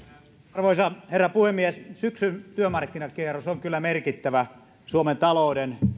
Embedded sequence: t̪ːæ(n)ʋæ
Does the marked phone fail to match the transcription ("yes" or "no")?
yes